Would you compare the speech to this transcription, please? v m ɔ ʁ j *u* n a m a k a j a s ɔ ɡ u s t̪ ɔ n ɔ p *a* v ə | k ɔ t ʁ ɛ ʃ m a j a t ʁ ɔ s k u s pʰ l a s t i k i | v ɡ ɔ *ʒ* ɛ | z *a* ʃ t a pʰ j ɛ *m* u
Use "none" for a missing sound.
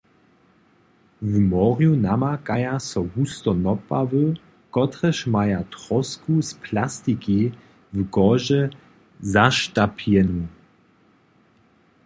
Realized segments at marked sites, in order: u, a, ʒ, a, n

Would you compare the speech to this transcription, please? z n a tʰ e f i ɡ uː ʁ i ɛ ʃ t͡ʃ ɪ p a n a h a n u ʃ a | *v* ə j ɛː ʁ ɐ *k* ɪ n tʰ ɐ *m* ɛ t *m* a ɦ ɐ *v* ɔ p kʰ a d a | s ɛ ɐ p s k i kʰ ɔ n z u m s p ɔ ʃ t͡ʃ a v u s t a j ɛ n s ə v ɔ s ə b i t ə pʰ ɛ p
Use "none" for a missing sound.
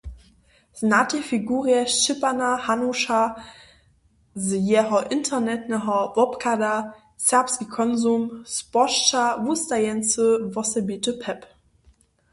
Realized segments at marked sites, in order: z, ʔ, n, n, v

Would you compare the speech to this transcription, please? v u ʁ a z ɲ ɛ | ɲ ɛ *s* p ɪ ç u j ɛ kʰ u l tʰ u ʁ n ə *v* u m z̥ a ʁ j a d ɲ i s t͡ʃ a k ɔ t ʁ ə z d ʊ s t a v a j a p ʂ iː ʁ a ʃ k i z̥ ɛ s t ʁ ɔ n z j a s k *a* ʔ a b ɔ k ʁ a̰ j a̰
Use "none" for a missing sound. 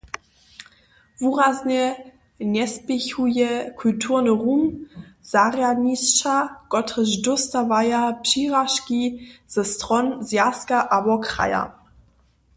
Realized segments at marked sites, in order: s, ʁ, a

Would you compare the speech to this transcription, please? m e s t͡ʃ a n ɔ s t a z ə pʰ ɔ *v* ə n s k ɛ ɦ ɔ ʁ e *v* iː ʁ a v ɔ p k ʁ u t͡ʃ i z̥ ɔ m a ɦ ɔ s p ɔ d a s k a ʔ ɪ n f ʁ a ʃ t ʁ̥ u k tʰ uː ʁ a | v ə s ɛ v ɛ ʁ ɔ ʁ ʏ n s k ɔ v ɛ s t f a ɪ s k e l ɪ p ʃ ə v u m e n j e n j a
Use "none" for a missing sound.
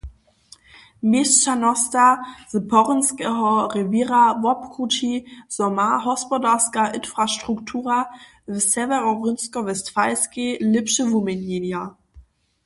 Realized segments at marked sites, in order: ʁ, v

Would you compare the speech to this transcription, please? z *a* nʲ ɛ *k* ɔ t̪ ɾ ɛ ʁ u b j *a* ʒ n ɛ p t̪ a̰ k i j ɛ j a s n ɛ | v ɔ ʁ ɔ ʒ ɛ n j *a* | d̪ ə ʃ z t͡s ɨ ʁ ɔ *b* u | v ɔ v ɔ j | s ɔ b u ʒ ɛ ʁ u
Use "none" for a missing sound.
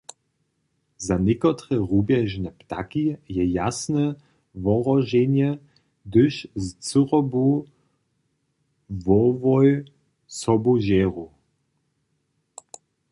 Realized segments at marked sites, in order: a, k, ɛ, ɛ, b

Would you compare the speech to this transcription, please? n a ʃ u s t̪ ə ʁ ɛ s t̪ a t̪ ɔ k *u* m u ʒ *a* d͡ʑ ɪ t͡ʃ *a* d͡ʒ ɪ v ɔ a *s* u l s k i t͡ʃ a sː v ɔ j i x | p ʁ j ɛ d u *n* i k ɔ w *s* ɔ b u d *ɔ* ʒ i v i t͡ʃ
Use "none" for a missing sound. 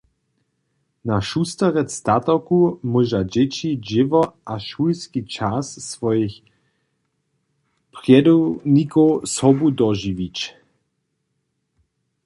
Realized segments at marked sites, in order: u, a, i, ʃ, n, s, ɔ

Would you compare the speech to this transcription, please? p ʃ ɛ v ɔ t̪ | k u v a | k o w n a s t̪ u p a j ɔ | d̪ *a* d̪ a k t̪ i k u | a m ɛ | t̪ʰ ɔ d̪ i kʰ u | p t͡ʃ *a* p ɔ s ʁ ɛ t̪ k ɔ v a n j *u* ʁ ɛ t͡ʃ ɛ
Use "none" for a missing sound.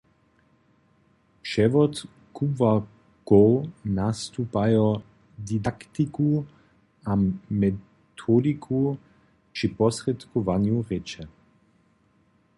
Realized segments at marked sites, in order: i, i, u

